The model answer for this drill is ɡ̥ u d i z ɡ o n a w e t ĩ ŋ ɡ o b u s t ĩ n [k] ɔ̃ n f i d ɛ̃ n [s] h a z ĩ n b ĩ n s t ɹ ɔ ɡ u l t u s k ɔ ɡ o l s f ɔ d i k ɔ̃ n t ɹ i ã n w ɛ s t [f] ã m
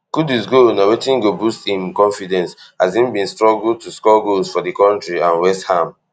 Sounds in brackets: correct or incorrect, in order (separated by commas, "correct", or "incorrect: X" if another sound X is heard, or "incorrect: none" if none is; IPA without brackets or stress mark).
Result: correct, correct, incorrect: h